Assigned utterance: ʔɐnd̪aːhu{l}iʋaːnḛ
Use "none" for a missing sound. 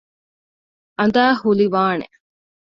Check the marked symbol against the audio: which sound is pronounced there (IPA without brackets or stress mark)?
l